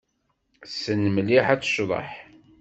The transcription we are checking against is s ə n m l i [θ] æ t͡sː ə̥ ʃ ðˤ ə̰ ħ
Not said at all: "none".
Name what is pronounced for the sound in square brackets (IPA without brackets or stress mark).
ħ